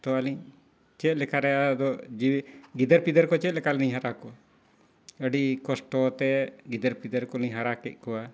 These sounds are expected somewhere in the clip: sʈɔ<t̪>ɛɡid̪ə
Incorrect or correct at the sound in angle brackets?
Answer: correct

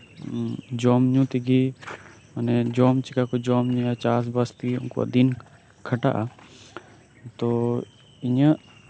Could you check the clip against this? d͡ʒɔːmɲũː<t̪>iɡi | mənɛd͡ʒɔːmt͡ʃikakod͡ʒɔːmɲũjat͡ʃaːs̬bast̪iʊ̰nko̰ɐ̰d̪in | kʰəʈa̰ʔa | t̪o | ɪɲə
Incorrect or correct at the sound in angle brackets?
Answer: correct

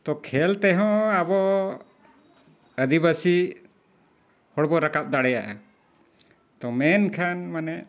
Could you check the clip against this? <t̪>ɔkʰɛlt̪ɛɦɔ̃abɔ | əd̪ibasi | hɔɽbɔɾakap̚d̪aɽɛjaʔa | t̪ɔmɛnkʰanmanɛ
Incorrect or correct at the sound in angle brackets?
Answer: correct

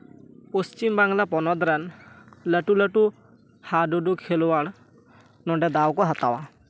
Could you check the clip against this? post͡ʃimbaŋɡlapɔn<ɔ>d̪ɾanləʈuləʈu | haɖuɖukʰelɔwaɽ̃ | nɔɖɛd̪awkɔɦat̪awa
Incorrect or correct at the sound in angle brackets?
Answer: correct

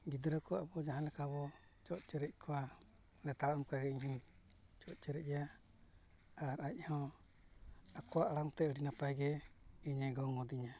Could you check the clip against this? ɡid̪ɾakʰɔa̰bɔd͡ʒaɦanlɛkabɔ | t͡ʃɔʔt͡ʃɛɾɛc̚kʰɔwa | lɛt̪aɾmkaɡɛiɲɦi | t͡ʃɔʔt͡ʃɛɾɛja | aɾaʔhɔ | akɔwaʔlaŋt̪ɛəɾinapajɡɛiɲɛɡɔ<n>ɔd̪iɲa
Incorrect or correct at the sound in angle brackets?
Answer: incorrect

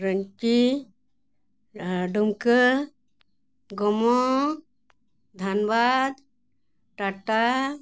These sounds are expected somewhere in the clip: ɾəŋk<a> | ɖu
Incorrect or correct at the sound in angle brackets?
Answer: incorrect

